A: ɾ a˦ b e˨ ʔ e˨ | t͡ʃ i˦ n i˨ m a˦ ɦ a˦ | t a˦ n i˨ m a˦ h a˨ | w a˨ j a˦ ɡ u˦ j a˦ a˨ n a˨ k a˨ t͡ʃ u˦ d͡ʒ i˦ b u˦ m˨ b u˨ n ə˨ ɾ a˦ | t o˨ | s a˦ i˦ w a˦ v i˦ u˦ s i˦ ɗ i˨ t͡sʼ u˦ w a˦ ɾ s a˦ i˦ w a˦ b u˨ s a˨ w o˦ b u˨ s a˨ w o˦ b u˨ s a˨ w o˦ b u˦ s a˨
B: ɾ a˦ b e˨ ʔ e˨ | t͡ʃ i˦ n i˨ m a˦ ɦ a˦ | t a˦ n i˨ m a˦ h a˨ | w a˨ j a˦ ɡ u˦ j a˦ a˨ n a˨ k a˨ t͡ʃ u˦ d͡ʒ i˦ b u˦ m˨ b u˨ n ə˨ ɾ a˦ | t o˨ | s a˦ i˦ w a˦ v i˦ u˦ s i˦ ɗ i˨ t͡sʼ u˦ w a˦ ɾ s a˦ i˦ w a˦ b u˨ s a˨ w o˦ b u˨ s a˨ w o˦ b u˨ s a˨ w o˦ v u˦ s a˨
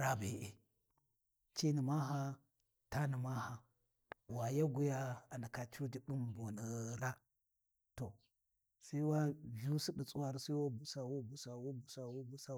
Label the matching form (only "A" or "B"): A